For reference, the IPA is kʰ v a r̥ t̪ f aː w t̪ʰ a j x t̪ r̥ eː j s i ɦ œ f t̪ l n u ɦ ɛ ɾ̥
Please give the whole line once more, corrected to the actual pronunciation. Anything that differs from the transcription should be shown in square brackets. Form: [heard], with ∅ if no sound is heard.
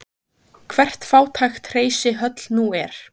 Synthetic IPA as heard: kʰ v [ɛ] r̥ t̪ f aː w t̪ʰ a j x t̪ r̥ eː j s [ɪ] ɦ œ [∅] t̪ l n u [∅] ɛ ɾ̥